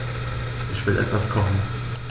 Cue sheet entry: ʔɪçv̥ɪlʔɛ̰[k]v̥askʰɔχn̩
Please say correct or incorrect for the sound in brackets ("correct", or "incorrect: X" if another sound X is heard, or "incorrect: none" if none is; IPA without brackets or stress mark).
incorrect: t